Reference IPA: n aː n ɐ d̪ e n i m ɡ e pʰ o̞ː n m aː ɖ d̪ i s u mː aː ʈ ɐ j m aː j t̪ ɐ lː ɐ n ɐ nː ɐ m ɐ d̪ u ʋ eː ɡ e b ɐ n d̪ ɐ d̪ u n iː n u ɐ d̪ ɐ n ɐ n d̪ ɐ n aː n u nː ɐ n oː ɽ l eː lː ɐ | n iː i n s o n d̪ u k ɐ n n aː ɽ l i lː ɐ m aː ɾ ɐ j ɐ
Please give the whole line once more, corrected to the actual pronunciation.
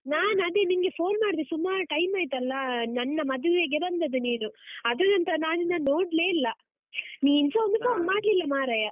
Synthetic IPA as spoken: n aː n ɐ d̪ e n i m ɡ e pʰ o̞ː n m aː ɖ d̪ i s u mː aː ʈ ɐ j m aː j t̪ ɐ lː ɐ n ɐ nː ɐ m ɐ d̪ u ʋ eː ɡ e b ɐ n d̪ ɐ d̪ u n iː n u ɐ d̪ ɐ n ɐ n t̪ ɐ n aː n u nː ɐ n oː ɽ l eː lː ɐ | n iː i n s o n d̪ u k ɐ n m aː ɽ l i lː ɐ m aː ɾ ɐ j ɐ